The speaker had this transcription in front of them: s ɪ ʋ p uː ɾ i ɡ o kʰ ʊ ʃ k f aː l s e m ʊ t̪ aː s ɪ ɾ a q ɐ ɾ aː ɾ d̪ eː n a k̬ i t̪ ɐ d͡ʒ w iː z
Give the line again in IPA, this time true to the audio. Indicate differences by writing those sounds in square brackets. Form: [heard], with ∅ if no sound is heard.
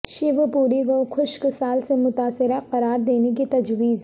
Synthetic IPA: [ʃ] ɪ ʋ p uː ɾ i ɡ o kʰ ʊ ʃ k [s] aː l s e m ʊ t̪ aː s ɪ ɾ a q ɐ ɾ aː ɾ d̪ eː n [e] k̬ i t̪ ɐ d͡ʒ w iː z